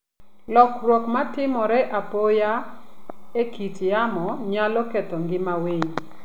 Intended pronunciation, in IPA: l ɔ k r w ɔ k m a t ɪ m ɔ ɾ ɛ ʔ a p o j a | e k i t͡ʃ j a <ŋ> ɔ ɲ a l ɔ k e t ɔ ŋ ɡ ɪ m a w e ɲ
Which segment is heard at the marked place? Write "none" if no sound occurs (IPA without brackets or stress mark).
m